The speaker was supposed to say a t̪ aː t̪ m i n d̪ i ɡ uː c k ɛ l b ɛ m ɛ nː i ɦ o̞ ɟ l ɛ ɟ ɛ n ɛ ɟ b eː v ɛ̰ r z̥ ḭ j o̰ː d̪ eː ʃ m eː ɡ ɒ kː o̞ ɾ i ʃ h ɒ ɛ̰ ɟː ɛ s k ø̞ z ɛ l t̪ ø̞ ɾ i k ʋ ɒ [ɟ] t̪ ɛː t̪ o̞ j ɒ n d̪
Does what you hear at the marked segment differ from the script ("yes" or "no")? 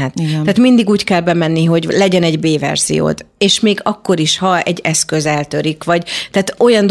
no